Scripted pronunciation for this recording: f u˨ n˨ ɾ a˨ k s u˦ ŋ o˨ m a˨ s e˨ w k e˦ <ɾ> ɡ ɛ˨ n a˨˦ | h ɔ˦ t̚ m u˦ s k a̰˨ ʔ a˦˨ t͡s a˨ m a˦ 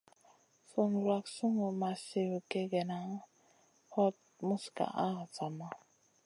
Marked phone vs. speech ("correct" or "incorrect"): incorrect